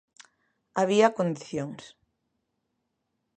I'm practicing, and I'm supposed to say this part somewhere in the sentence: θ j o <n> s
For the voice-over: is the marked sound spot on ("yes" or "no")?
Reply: no